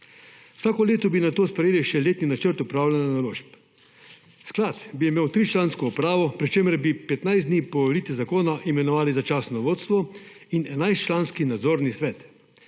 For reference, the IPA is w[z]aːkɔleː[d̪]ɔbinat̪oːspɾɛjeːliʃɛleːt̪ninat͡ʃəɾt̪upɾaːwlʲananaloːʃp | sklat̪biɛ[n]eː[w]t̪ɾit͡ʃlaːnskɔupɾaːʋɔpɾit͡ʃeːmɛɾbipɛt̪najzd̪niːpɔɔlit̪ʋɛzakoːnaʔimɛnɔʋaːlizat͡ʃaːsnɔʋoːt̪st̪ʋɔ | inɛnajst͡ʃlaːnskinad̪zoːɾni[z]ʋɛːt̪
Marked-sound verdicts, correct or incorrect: incorrect, incorrect, incorrect, correct, incorrect

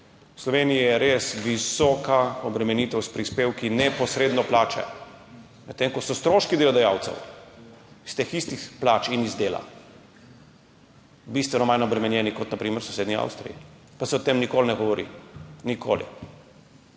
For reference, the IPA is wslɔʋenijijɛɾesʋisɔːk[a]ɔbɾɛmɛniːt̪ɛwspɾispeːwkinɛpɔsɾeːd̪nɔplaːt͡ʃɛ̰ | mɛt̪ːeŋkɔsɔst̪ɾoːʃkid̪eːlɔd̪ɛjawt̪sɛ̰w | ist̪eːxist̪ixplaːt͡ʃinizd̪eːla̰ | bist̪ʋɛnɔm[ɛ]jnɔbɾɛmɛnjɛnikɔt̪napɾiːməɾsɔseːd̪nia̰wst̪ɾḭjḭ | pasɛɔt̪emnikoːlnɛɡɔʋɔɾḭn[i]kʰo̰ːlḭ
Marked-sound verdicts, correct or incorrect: correct, incorrect, correct

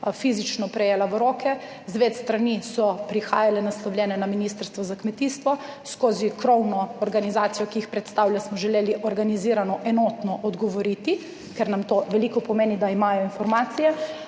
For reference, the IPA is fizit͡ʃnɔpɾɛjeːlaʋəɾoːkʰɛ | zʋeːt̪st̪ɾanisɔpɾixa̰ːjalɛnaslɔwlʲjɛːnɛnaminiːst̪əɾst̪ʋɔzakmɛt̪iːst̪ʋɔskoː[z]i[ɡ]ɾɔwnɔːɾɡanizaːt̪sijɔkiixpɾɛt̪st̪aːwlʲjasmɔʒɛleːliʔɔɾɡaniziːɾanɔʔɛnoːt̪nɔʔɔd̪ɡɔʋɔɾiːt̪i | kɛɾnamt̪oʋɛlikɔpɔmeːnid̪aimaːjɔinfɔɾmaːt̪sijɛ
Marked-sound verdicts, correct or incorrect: correct, incorrect

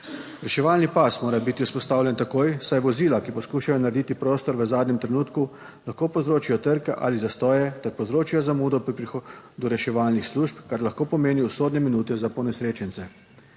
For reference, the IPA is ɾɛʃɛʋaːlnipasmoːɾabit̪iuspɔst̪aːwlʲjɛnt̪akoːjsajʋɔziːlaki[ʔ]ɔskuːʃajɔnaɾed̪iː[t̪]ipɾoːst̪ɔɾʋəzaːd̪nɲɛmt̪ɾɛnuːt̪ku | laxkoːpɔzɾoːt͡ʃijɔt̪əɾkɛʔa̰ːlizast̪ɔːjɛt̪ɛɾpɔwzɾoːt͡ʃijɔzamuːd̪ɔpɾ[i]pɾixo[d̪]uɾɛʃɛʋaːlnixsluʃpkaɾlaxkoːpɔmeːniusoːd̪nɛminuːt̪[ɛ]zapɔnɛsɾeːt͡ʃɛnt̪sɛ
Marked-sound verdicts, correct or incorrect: incorrect, correct, correct, correct, correct

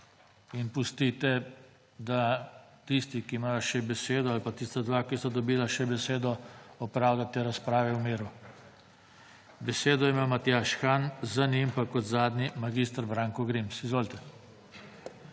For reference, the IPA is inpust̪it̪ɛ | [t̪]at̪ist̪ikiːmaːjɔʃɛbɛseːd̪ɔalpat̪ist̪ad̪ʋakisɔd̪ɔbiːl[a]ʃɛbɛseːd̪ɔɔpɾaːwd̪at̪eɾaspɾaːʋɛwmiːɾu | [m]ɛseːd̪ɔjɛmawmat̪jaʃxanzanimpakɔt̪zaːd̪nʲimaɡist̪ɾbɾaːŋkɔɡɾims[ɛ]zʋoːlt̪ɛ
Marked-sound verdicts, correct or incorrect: incorrect, correct, incorrect, incorrect

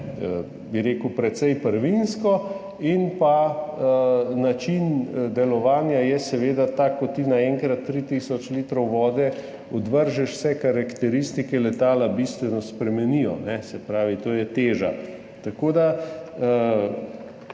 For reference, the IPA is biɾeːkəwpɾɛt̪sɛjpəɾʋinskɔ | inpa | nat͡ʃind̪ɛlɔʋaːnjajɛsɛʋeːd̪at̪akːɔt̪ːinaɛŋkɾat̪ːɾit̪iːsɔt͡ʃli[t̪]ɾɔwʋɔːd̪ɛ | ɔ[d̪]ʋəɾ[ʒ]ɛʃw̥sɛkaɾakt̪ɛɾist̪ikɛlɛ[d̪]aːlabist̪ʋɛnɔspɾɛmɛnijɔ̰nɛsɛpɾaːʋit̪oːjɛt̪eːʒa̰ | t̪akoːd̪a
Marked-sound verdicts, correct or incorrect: correct, correct, correct, incorrect

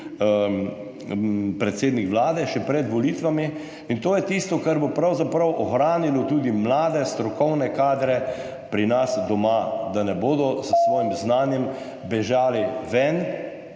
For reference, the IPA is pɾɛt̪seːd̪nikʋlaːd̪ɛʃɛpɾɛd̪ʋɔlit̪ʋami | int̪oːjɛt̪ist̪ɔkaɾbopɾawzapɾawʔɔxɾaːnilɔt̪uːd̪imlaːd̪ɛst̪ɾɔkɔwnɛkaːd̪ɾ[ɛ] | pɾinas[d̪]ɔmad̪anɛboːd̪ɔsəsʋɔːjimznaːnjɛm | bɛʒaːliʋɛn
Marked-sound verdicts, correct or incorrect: correct, correct

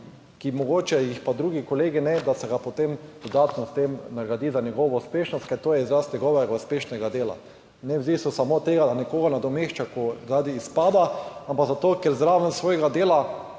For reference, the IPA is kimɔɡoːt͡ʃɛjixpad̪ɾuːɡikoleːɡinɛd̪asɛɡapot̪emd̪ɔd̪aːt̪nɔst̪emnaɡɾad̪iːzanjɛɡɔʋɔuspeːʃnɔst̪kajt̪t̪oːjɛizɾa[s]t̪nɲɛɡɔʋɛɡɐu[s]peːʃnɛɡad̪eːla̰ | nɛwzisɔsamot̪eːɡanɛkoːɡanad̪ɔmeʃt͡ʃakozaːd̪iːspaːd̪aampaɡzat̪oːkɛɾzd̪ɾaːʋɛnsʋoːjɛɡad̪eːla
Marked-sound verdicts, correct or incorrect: correct, correct

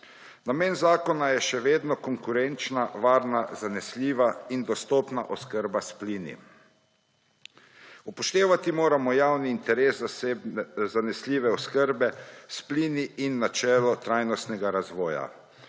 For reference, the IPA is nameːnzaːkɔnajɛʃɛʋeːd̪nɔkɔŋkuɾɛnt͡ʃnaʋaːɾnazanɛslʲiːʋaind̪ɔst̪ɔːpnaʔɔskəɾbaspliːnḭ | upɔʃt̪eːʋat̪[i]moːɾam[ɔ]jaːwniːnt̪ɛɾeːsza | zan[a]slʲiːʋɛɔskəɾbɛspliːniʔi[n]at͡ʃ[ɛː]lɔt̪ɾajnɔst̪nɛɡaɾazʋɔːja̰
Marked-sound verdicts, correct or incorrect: correct, correct, incorrect, incorrect, correct

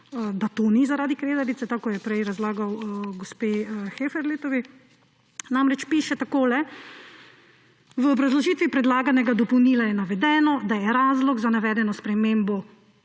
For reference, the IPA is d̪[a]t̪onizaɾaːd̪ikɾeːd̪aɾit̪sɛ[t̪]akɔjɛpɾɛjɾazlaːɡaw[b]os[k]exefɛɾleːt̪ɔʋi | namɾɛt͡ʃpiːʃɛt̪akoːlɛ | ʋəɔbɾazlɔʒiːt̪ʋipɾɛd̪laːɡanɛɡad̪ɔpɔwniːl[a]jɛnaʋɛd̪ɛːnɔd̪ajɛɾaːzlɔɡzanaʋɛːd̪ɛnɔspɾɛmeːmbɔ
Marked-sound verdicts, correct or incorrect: correct, correct, incorrect, incorrect, correct

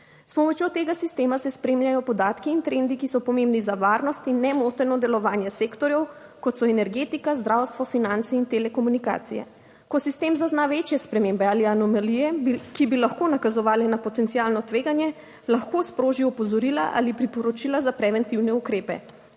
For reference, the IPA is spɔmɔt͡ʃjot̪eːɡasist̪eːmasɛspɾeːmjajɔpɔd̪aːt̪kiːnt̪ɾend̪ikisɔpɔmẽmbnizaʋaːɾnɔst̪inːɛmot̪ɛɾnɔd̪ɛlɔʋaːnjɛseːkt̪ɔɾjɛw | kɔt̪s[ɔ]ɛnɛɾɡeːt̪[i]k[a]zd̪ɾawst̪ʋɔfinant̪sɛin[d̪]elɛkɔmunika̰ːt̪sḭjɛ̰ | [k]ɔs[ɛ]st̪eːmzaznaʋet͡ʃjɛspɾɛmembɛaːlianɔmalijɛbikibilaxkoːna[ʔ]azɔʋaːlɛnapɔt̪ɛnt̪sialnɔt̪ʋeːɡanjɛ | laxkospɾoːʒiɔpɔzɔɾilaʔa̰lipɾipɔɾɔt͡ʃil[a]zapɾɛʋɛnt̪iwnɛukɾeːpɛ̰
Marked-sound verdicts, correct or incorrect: correct, correct, correct, incorrect, correct, incorrect, incorrect, correct

